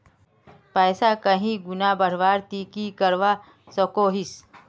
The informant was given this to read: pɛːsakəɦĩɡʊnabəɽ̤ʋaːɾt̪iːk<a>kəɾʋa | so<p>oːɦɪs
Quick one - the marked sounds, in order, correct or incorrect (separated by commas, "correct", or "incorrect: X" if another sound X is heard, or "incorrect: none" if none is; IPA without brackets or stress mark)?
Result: incorrect: i, incorrect: k